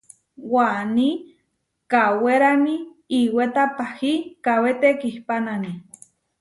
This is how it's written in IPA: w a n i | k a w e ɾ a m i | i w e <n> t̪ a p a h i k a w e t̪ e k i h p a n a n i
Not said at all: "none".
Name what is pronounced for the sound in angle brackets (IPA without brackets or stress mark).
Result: none